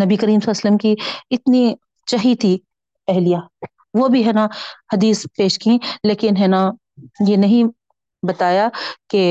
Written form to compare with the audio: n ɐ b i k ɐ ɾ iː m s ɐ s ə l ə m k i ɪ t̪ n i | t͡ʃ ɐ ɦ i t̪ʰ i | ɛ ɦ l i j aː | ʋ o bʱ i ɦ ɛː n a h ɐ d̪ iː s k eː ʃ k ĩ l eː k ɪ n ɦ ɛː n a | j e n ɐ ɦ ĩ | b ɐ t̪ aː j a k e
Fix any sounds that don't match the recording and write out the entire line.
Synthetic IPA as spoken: n ɐ b i k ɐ ɾ iː m s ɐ s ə l ə m k i ɪ t̪ n i | t͡ʃ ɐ ɦ i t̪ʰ i | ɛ ɦ l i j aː | ʋ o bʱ i ɦ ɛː n a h ɐ d̪ iː s p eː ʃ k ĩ l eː k ɪ n ɦ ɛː n a | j e n ɐ ɦ ĩ | b ɐ t̪ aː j a k e